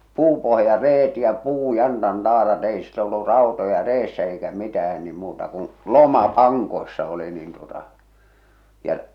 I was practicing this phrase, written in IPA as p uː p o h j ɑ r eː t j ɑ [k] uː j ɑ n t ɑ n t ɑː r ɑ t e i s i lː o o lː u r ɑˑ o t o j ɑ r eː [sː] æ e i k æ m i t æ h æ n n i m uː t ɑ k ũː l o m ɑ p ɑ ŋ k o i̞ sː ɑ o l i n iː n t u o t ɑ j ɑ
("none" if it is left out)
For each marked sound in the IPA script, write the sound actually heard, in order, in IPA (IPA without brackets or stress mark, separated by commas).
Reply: p, sː